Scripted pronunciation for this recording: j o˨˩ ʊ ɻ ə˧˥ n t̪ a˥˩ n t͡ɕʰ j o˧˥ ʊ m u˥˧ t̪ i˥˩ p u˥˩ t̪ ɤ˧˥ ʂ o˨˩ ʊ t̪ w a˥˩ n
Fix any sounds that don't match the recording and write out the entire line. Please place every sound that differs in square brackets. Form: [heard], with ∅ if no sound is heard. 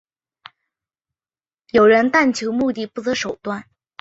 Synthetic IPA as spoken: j o˨˩ ʊ ɻ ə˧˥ n t̪ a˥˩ n t͡ɕʰ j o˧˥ ʊ m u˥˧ t̪ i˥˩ p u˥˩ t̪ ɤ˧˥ ʂ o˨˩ ʊ t̪ w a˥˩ n